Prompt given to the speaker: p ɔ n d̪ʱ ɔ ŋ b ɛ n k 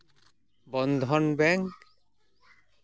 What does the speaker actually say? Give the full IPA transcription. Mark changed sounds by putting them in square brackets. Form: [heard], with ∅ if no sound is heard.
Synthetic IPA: [b] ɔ n d̪ʱ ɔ [n] b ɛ [ŋ] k

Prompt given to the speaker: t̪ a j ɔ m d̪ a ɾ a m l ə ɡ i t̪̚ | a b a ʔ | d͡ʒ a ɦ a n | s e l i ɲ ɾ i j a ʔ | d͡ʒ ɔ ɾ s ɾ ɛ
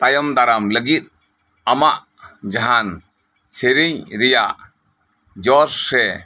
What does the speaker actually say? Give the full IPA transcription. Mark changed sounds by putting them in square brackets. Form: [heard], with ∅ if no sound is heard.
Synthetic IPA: t̪ a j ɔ m d̪ a ɾ a m l ə ɡ i t̪̚ | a [m] a ʔ | d͡ʒ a ɦ a n | s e [ɾ] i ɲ ɾ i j a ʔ | d͡ʒ ɔ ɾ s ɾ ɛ

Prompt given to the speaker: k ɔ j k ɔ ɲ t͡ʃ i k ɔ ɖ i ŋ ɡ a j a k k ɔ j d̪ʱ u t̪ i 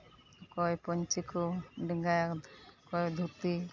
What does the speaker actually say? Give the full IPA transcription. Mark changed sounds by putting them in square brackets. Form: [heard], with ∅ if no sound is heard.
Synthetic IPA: k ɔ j [p] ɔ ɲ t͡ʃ i k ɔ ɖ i ŋ ɡ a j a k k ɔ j d̪ʱ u t̪ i

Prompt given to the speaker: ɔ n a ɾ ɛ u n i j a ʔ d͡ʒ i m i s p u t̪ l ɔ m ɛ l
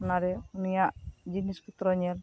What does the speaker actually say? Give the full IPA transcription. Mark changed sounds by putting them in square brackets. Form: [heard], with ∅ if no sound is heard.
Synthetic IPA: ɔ n a ɾ ɛ u n i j a ʔ d͡ʒ i [n] i s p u t̪ [ɾ] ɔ [ɲ] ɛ l

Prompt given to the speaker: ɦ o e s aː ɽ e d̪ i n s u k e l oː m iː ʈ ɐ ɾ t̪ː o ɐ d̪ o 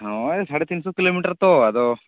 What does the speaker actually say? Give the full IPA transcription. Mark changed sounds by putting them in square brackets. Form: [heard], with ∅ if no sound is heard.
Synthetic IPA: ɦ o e s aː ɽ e [t̪] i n s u k [i] l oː m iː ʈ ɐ ɾ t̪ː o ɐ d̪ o

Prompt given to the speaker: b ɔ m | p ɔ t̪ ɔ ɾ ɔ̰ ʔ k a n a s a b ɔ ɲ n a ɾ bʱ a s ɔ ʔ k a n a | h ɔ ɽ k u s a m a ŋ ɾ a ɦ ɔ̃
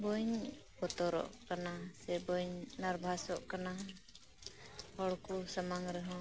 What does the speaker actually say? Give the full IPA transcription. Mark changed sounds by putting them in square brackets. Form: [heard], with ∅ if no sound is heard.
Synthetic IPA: b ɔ [ɲ] | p ɔ t̪ ɔ ɾ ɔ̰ ʔ k a n a s [ɛ] b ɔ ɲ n a ɾ bʱ a s ɔ ʔ k a n a | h ɔ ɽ k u s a m a ŋ ɾ [ɛ] ɦ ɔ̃

